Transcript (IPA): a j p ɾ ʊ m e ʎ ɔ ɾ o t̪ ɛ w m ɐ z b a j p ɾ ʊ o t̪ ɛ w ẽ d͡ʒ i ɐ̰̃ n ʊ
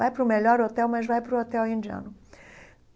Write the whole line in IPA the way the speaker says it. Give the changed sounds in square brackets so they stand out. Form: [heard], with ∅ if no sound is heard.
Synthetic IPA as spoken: a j p ɾ ʊ m e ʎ ɔ ɾ o t̪ ɛ w m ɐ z [v] a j p ɾ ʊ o t̪ ɛ w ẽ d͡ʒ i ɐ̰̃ n ʊ